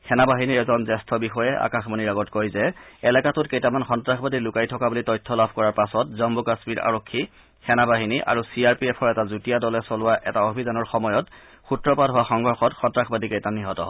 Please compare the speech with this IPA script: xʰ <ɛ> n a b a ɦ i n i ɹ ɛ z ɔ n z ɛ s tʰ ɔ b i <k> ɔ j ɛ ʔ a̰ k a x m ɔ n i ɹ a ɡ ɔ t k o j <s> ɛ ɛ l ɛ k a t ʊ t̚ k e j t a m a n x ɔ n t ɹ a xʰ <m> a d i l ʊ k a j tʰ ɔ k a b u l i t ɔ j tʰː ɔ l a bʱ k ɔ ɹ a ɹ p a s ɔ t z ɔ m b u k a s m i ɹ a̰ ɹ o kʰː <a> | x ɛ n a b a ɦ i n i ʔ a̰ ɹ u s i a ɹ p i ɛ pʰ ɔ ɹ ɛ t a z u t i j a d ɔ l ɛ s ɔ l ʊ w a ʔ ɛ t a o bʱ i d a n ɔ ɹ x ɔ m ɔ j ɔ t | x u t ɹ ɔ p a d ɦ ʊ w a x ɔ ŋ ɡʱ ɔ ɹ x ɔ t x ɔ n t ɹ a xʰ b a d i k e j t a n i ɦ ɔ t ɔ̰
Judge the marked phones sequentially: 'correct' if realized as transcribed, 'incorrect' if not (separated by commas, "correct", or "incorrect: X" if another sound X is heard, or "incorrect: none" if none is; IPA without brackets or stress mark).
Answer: correct, incorrect: x, incorrect: z, incorrect: b, incorrect: i